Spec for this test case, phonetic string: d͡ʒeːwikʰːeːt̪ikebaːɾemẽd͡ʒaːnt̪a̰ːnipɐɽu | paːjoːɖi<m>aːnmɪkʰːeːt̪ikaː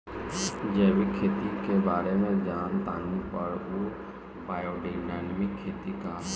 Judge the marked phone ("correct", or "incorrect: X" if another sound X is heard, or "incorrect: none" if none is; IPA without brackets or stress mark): incorrect: n